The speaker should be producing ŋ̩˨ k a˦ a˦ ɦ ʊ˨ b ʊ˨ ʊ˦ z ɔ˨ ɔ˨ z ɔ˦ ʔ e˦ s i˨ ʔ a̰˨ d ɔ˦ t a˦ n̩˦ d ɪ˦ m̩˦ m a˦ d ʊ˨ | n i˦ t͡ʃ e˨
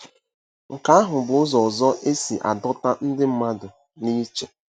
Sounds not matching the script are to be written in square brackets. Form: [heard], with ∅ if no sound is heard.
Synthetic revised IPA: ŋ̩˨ k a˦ a˦ ɦ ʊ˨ b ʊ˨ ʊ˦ z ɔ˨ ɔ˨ z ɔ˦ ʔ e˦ s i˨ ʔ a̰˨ d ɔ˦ t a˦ n̩˦ d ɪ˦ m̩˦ m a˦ d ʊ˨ | n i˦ t͡ʃ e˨